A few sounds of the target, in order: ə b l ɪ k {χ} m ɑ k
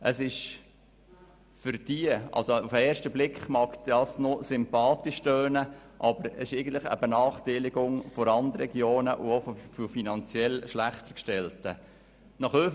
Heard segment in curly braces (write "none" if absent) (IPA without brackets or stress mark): χ